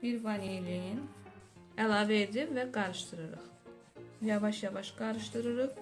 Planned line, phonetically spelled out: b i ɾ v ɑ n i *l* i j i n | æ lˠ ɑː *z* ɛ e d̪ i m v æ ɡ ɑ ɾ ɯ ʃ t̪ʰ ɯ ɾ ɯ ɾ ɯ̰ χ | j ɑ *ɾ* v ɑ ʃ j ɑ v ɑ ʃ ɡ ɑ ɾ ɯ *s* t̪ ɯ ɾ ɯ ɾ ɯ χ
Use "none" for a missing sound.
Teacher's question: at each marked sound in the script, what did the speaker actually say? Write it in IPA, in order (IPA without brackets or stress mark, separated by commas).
l, v, none, ʃ